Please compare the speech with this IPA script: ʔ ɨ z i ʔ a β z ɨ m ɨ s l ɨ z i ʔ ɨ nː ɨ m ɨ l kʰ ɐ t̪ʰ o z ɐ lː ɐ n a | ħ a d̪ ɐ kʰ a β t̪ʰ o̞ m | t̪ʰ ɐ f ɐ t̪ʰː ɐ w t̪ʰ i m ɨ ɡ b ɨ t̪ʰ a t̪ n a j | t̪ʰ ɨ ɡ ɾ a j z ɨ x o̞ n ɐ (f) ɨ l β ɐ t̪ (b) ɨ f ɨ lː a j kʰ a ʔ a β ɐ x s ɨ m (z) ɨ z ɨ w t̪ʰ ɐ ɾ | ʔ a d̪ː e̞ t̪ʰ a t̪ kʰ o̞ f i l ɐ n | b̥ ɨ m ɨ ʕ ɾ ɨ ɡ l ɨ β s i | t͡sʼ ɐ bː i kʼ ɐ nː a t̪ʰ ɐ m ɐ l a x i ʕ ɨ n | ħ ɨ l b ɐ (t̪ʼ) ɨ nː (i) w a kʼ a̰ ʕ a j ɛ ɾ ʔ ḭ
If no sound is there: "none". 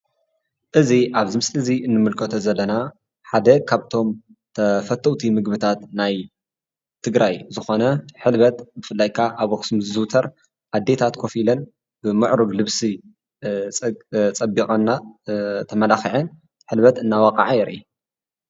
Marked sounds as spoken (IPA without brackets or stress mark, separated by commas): ħ, b, z, t̪, a